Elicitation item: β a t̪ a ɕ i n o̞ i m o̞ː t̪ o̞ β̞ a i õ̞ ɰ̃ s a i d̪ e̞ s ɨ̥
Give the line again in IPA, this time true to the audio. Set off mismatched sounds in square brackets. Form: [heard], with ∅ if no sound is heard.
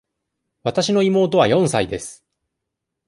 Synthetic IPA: β a t̪ a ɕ i n o̞ i m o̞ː t̪ o̞ β̞ a [j] õ̞ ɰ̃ s a i d̪ e̞ s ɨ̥

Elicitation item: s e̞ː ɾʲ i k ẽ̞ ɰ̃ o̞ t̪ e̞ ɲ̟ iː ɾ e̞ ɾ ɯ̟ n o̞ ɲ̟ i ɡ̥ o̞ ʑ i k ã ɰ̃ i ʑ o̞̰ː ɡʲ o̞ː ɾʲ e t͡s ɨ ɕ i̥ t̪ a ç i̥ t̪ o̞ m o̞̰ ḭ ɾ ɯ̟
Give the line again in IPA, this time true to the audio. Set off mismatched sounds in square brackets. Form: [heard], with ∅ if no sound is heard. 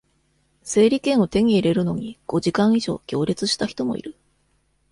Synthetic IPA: s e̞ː ɾʲ i k ẽ̞ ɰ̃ o̞ t̪ e̞ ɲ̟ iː ɾ e̞ ɾ ɯ̟ n o̞ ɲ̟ i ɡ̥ o̞ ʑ i k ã ɰ̃ i ʑ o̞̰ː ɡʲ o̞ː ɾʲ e t͡s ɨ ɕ i̥ t̪ a ç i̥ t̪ o̞ m o̞̰ ḭ ɾ ɯ̟

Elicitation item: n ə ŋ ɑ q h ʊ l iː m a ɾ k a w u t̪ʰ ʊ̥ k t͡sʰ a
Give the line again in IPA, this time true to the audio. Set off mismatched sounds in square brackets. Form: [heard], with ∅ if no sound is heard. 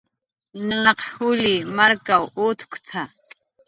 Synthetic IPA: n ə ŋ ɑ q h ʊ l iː m a ɾ k a w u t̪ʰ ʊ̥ k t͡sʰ a

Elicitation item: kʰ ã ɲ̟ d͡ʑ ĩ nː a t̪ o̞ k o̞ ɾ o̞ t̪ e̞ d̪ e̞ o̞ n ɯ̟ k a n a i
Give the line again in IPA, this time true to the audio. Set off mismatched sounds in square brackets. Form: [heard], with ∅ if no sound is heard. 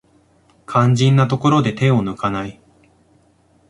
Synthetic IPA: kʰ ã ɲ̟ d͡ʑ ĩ nː a t̪ o̞ k o̞ ɾ o̞ [d̪] e̞ [t̪] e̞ o̞ n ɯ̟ k a n a i

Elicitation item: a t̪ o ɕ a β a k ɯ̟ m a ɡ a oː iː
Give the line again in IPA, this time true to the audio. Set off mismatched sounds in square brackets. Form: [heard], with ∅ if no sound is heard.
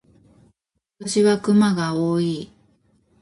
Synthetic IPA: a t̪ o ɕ [i] β a k ɯ̟ m a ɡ a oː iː

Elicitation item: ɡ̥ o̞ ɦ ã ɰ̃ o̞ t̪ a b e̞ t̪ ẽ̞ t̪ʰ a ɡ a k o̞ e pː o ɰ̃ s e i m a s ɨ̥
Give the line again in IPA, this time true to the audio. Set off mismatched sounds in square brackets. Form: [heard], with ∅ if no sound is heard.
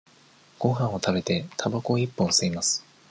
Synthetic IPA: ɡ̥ o̞ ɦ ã ɰ̃ o̞ t̪ a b e̞ t̪ [e̞] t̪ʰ a [b] a k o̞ [i] pː [õ] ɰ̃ s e i m a s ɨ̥

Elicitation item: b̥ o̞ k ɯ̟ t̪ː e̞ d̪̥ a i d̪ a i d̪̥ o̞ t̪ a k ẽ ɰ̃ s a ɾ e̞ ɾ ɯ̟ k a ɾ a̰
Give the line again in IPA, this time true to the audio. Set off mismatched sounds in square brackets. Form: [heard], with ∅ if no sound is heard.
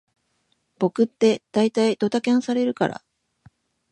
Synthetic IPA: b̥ o̞ k ɯ̟ t̪ː e̞ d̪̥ a i [t̪] a i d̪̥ o̞ t̪ a k ẽ ɰ̃ s a ɾ e̞ ɾ ɯ̟ k a ɾ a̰

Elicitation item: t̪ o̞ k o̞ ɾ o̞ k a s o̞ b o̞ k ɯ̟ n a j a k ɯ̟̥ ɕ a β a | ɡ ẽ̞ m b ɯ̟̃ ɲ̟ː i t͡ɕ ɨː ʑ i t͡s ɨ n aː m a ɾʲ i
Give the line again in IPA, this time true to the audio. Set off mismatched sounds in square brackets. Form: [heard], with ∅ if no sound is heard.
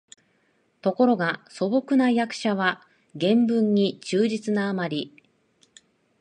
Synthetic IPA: t̪ o̞ k o̞ ɾ o̞ [ɡ] a s o̞ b o̞ k ɯ̟ n a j a k ɯ̟̥ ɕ a β a | ɡ ẽ̞ m b ɯ̟̃ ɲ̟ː i t͡ɕ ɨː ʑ i t͡s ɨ n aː m a ɾʲ i

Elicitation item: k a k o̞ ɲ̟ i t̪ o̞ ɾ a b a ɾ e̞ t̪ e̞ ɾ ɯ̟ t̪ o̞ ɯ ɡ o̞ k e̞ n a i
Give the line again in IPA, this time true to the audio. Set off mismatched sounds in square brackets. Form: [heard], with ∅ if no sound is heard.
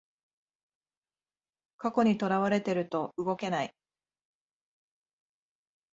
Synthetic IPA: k a k o̞ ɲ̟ i t̪ o̞ ɾ a [β] a ɾ e̞ t̪ e̞ ɾ ɯ̟ t̪ o̞ ɯ ɡ o̞ k e̞ n a i

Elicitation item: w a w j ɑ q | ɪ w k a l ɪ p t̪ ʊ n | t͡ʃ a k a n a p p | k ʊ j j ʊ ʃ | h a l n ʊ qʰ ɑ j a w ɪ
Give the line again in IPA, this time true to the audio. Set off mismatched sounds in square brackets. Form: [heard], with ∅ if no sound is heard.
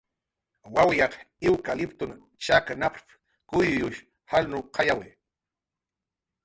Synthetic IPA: w a w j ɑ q | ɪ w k a l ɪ p t̪ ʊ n | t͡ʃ a k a n a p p | k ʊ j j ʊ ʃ | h a l n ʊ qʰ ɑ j a w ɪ

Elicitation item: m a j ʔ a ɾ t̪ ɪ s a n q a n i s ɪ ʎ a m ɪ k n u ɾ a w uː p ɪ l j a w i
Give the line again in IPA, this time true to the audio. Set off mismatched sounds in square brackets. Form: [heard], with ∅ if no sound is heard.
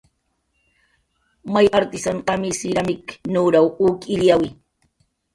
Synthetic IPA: m a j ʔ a ɾ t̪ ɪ s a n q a [m] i s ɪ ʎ a m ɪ k n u ɾ a w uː [k] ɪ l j a w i

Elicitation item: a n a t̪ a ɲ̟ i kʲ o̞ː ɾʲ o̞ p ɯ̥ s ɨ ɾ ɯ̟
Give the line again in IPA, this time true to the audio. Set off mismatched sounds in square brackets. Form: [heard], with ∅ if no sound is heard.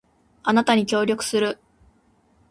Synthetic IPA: a n a t̪ a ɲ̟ i kʲ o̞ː ɾʲ o̞ [k] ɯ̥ s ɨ ɾ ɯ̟

